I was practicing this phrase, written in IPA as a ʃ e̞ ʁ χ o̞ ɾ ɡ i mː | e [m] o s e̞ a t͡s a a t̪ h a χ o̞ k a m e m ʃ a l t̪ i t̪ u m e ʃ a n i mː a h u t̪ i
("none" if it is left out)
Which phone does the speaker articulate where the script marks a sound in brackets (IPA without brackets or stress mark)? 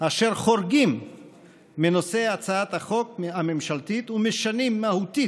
n